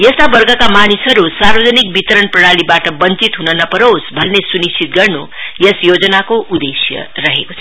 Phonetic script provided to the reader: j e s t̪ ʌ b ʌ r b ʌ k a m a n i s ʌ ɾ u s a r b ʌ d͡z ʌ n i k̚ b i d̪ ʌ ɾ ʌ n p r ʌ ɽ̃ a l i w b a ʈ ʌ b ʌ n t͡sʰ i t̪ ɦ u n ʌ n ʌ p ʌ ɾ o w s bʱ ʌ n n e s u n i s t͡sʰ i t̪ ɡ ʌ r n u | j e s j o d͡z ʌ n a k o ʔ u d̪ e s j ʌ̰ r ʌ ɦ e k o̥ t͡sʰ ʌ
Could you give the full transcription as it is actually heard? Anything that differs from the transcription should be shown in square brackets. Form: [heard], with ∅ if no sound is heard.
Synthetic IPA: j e s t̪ [a] b ʌ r [ɡ] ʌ k a m a n i s ʌ ɾ u s a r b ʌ d͡z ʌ n i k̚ b i [t̪] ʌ ɾ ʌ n p r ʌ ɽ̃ a l i [∅] b a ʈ ʌ b ʌ n [t͡s] i t̪ ɦ u n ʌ n ʌ p ʌ ɾ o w s bʱ ʌ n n e s u n i s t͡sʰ i t̪ ɡ ʌ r n u | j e s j o d͡z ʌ n a k o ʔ u d̪ e s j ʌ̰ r ʌ ɦ e k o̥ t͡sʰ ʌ